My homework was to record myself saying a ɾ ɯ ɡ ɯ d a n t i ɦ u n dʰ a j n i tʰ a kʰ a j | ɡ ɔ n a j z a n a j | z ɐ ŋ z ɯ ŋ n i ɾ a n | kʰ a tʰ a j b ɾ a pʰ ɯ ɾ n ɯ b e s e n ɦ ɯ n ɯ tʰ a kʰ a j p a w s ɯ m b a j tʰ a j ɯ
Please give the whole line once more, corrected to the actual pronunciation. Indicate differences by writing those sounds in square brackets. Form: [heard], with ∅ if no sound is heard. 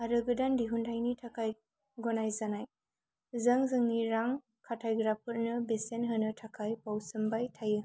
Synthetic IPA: a ɾ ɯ ɡ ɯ d a n [d] i ɦ u n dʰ a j n i tʰ a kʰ a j | ɡ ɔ n a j z a n a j | z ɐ ŋ z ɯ ŋ n i ɾ a [ŋ] | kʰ a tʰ a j [ɡ] ɾ a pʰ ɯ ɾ n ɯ b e s e n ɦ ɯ n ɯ tʰ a kʰ a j p a w s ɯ m b a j tʰ a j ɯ